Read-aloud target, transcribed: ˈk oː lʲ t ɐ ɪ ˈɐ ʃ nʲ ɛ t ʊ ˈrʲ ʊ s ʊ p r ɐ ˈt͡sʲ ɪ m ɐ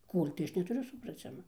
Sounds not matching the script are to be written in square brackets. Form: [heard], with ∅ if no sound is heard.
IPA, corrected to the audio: ˈk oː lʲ t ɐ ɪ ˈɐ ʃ nʲ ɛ t ʊ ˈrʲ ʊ s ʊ p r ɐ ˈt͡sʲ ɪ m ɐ